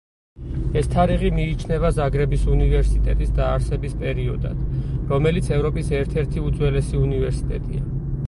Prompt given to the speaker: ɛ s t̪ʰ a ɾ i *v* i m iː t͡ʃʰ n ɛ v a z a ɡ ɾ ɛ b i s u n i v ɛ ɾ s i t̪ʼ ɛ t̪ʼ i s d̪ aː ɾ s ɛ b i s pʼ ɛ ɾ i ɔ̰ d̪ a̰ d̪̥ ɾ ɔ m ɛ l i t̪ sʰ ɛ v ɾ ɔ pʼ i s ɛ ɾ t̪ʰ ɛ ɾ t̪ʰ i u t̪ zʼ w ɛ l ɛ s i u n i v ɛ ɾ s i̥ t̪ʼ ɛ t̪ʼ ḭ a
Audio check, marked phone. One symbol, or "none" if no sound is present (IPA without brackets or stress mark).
ʁ